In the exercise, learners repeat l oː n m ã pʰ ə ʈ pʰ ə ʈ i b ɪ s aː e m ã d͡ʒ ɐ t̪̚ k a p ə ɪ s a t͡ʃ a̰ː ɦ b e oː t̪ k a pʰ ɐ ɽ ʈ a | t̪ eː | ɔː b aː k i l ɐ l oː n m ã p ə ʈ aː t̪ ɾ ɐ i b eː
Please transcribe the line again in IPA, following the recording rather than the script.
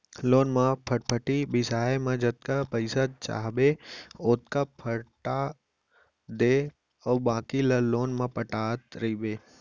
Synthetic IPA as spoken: l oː n m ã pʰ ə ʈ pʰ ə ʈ i b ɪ s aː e m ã d͡ʒ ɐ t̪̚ k a p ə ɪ s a t͡ʃ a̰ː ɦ b e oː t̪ k a pʰ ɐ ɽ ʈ a | d̪ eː | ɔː b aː k i l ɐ l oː n m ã p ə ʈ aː t̪ ɾ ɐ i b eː